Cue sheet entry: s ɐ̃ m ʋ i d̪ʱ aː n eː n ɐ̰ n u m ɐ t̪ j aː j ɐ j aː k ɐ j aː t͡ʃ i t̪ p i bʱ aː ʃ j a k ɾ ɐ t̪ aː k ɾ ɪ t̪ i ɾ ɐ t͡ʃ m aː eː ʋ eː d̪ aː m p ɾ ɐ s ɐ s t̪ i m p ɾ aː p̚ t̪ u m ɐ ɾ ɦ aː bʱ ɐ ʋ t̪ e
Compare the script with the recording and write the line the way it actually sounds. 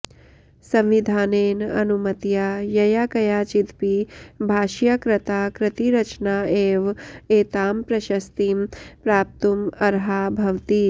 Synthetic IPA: s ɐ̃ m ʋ i d̪ʱ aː n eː n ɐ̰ n u m ɐ t̪ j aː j ɐ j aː k ɐ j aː t͡ʃ i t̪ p i bʱ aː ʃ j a k ɾ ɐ t̪ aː k ɾ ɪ t̪ i ɾ ɐ t͡ʃ n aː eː ʋ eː t̪ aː m p ɾ ɐ ʃ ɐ s t̪ i m p ɾ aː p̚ t̪ u m ɐ ɾ ɦ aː bʱ ɐ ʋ t̪ i